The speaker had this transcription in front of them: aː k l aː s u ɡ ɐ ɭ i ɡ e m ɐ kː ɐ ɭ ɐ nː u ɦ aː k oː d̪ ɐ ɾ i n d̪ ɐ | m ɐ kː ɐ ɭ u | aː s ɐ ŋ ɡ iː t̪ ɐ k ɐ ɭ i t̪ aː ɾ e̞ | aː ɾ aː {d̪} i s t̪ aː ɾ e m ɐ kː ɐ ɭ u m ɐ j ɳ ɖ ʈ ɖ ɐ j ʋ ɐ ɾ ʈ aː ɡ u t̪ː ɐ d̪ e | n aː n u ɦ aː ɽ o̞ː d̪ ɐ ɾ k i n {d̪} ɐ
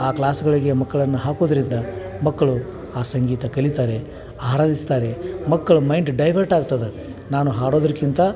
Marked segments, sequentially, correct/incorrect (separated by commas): correct, incorrect